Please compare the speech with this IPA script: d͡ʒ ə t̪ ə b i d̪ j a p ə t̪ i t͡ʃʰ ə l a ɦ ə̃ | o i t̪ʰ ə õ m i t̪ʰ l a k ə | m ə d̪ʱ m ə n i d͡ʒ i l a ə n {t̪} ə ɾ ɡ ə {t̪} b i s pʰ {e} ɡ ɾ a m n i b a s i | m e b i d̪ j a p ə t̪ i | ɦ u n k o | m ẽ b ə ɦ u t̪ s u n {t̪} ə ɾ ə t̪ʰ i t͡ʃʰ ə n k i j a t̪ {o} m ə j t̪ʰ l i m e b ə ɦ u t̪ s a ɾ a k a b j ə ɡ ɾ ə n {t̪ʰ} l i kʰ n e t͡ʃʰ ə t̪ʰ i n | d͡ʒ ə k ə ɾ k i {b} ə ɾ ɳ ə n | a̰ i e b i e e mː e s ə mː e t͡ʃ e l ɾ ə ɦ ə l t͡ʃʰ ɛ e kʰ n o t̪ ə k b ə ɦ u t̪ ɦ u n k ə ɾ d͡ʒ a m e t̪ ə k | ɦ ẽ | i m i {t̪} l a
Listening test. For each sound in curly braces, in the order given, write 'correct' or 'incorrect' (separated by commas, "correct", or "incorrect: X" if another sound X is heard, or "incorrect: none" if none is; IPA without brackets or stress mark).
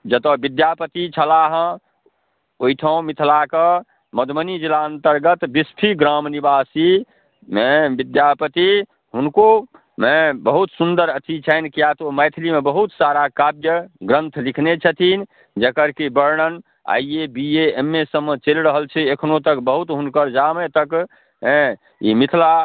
correct, correct, incorrect: i, incorrect: d̪, correct, correct, correct, incorrect: t̪ʰ